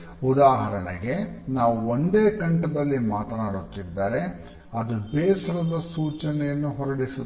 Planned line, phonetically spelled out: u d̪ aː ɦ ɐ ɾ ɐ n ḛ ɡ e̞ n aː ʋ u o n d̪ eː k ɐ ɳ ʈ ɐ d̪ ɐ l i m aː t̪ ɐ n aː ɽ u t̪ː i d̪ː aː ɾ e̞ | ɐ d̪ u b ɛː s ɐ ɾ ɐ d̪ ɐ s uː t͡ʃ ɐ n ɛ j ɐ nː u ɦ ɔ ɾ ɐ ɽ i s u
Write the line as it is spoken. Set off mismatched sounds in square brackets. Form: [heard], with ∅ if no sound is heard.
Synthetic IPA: u d̪ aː ɦ ɐ ɾ ɐ n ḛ ɡ e̞ n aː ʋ u o n d̪ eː k ɐ ɳ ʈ ɐ d̪ ɐ [lː] i m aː t̪ ɐ n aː ɽ u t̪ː i d̪ː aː ɾ e̞ | ɐ d̪ u b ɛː s ɐ ɾ ɐ d̪ ɐ s uː t͡ʃ ɐ n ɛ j ɐ nː u ɦ ɔ ɾ ɐ ɽ i s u